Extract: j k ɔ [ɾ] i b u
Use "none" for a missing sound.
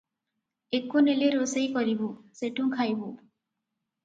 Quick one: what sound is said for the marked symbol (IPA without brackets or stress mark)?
ɾ